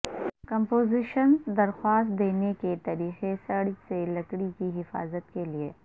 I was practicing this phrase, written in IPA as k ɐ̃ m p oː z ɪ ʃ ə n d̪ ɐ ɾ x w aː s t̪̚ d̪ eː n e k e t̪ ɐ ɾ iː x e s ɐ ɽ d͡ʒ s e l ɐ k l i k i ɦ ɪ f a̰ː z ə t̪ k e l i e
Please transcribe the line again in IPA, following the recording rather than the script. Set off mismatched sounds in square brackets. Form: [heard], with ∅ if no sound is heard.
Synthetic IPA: k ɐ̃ m p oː z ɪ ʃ ə n d̪ ɐ ɾ x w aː s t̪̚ d̪ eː n e k e t̪ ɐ ɾ iː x e s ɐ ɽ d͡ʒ s e l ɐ k [ɽ] i k i ɦ ɪ f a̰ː z ə t̪ k e l i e